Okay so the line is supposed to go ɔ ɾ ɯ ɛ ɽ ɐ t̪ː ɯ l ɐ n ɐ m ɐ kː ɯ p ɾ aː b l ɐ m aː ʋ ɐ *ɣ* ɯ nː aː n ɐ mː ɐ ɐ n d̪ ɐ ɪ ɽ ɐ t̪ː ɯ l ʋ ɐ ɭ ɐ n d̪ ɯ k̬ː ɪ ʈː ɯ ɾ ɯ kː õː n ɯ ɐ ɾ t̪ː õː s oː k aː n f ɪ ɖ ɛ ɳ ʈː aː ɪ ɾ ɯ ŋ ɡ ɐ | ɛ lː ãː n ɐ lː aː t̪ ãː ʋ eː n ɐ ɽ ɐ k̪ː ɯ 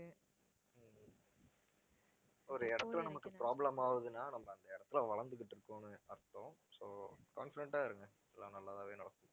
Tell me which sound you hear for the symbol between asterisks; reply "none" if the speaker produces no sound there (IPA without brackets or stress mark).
ð